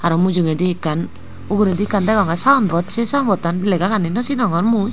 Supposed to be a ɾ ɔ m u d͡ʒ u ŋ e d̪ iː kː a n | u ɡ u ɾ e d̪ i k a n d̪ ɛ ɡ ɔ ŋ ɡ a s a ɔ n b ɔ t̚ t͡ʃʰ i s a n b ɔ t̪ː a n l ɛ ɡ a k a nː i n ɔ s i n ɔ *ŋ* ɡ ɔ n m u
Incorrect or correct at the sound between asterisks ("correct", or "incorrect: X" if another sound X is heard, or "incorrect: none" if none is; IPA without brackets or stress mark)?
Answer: correct